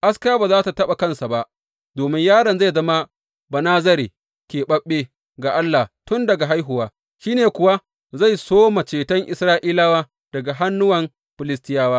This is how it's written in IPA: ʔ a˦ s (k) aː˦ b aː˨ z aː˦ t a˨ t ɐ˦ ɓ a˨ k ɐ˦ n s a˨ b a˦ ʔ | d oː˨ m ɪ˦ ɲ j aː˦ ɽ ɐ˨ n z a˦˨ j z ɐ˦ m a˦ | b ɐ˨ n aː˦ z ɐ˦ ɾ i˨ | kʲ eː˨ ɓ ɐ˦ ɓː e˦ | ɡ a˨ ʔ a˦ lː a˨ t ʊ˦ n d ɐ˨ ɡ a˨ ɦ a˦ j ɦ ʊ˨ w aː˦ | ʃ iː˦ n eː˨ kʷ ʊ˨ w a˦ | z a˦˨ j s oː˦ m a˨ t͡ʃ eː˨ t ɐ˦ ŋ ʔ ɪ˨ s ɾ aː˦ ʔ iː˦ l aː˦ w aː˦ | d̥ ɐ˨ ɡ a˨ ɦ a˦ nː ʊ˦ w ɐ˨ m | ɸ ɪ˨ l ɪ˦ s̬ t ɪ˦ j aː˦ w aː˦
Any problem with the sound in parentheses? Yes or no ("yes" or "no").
no